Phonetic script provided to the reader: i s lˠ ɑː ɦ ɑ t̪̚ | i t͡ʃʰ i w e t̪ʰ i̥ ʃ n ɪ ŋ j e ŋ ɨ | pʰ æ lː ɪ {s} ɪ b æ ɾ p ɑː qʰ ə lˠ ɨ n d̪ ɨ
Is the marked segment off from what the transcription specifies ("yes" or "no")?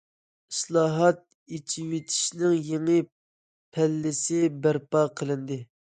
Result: no